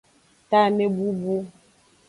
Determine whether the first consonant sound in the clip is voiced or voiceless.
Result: voiceless